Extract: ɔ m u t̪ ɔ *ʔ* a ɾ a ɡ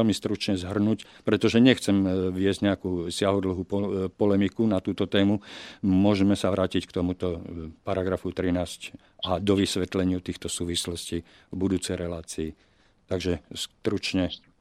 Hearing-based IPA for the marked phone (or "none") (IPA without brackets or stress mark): p